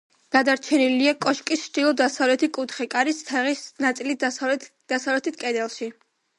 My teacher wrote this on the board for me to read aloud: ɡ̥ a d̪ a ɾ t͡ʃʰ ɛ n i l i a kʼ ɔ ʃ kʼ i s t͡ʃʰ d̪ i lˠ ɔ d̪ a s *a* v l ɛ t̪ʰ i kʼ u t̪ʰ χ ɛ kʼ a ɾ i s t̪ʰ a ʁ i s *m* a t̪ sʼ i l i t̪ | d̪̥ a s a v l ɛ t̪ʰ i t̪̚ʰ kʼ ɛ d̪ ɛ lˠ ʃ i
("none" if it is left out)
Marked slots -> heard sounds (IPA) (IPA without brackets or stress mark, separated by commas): a, n